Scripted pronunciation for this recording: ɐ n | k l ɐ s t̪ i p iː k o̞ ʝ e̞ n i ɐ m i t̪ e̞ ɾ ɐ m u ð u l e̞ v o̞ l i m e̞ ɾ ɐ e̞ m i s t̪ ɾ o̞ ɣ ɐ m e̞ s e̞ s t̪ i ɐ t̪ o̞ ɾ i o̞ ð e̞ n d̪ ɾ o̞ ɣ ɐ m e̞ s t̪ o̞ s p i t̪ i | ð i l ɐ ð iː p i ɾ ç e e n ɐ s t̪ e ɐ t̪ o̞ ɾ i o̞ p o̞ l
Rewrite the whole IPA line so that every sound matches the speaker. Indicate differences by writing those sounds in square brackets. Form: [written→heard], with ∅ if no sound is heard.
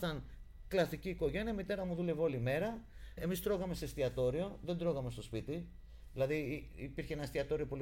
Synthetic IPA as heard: ɐ n | k l ɐ s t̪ i [p→c] iː k o̞ ʝ e̞ n i ɐ m i t̪ e̞ ɾ ɐ m u ð u l e̞ v o̞ l i m e̞ ɾ ɐ e̞ m i s t̪ ɾ o̞ ɣ ɐ m e̞ s e̞ s t̪ i ɐ t̪ o̞ ɾ i o̞ ð e̞ n d̪ ɾ o̞ ɣ ɐ m e̞ s t̪ o̞ s p i t̪ i | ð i l ɐ ð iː p i ɾ ç e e n ɐ s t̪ [e→i] ɐ t̪ o̞ ɾ i o̞ p o̞ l